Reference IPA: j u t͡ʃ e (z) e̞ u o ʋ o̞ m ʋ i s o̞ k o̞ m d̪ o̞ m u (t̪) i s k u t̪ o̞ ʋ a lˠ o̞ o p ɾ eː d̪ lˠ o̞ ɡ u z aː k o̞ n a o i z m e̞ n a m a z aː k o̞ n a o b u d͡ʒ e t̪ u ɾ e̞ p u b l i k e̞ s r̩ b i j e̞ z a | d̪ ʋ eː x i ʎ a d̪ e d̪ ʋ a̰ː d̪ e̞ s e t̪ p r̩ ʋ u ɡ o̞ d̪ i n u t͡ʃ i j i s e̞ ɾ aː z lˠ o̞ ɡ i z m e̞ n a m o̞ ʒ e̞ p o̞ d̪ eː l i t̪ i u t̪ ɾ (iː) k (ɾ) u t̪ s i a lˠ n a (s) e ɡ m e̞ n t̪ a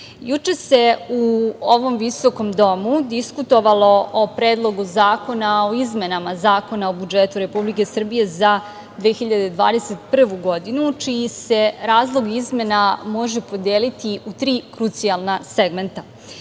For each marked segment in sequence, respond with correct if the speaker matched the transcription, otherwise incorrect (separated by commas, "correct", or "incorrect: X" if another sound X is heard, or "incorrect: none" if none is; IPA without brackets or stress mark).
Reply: incorrect: s, incorrect: d̪, correct, correct, correct